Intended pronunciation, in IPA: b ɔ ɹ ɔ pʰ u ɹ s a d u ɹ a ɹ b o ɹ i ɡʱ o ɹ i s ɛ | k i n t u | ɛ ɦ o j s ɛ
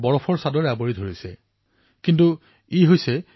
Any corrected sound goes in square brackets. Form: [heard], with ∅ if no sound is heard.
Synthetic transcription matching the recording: b ɔ ɹ ɔ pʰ [ɔ] ɹ s a d [ɔ] ɹ a [∅] b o ɹ i [dʱ] o ɹ i s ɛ | k i n t u | [i] ɦ o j s ɛ